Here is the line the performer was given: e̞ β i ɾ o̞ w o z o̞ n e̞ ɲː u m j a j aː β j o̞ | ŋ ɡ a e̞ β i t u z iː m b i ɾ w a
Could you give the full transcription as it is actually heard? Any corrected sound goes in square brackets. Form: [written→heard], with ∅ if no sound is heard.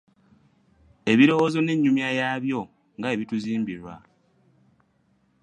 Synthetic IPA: e̞ β i ɾ o̞ w o z o̞ n e̞ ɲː u m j a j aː β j o̞ | ŋ ɡ a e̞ β i t u z iː m b i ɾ w a